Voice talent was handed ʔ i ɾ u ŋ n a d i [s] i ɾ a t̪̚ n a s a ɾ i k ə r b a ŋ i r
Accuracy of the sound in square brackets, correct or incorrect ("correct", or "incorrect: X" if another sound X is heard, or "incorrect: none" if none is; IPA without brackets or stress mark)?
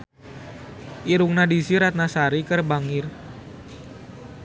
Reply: correct